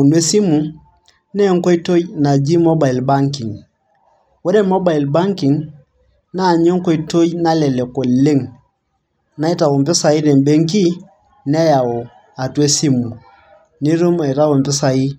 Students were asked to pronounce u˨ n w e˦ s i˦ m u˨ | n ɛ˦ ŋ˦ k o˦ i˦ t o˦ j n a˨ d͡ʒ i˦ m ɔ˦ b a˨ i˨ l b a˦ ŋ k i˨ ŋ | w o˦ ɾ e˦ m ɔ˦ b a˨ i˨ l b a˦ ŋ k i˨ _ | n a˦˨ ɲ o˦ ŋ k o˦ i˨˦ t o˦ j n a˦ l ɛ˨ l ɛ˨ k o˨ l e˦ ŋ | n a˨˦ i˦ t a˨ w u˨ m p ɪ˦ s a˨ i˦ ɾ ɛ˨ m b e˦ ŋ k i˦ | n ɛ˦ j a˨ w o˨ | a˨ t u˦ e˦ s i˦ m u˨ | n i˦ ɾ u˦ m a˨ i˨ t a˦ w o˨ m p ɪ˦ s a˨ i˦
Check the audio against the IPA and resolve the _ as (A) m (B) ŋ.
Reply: B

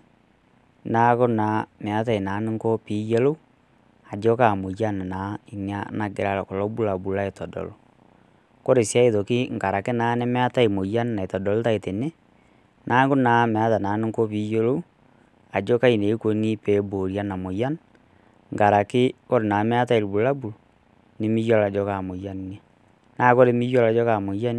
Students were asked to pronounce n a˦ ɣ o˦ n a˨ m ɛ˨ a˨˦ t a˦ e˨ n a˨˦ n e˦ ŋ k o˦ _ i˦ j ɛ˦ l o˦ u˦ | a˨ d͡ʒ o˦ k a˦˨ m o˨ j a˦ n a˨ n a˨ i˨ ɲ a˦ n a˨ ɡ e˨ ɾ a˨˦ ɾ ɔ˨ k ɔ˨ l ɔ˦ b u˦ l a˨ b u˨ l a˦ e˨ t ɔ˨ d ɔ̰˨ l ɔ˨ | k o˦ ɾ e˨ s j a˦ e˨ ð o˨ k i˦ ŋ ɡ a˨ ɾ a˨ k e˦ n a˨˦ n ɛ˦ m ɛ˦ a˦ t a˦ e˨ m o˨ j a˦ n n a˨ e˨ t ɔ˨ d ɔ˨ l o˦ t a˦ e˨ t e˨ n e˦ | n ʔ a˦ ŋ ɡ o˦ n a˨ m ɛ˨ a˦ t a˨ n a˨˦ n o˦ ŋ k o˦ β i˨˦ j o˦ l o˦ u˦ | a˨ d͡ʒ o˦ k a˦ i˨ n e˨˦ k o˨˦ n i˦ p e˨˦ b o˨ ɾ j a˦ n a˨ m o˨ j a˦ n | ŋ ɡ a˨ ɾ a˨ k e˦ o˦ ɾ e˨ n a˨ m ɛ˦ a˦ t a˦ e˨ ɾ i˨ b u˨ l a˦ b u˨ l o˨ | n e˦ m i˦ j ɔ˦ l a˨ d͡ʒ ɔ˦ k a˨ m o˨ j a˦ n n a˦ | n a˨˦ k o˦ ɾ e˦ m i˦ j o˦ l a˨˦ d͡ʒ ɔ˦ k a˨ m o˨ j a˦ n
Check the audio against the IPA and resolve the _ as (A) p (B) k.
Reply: A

